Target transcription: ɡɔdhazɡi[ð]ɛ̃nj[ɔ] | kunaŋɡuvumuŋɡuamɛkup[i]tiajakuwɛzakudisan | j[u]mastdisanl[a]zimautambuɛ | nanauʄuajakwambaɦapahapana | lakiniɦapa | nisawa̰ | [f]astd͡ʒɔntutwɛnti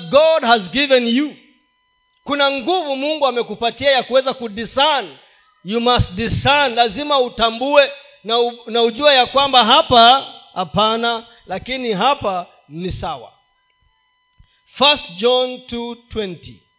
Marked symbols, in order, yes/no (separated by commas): no, no, no, yes, yes, yes